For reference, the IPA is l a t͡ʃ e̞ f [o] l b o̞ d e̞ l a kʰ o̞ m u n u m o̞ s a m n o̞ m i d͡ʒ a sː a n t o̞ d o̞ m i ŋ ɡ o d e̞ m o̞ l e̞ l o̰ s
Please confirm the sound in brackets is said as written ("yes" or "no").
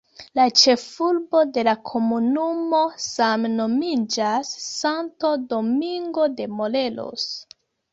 no